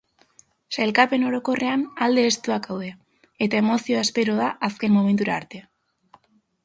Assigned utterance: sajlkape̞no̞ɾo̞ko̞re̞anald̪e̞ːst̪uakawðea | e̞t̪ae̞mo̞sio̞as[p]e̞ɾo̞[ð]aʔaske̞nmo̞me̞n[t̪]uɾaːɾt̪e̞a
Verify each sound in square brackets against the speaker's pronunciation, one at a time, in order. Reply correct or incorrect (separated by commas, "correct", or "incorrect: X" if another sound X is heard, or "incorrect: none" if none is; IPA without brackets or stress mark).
correct, correct, correct